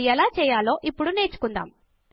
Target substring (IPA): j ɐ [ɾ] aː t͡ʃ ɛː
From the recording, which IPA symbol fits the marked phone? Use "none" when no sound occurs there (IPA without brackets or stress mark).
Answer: l